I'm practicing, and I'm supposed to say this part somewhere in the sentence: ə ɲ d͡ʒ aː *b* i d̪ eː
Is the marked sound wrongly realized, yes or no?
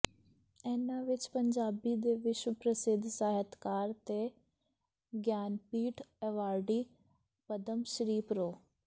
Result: no